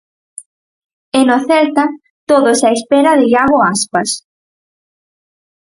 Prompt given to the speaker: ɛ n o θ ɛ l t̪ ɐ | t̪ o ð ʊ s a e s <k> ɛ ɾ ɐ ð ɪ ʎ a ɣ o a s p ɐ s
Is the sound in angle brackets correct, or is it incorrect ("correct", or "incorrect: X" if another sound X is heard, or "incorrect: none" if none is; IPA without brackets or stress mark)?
incorrect: p